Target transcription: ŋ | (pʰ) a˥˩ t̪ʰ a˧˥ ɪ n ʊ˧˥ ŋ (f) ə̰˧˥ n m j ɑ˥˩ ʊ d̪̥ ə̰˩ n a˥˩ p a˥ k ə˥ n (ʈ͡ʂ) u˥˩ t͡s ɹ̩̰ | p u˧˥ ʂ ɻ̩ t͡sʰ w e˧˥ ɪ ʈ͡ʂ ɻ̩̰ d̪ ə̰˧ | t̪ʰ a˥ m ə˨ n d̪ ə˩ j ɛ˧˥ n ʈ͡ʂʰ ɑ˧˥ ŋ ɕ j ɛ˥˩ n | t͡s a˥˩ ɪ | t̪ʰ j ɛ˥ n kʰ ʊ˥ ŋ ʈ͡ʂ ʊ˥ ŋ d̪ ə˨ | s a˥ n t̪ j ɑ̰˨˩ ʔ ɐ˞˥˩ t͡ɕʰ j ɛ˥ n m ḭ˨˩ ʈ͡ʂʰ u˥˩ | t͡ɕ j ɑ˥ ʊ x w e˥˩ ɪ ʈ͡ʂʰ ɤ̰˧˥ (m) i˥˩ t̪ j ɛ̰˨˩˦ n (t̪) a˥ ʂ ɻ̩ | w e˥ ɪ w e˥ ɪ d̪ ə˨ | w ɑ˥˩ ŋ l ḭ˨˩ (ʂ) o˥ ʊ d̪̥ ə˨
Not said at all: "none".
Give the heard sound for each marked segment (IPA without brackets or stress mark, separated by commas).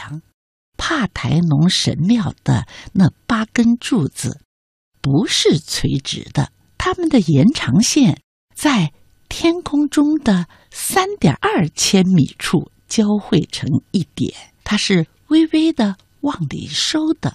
pʰ, ʂ, ʈ͡ʂ, ŋ, t̪ʰ, ʂ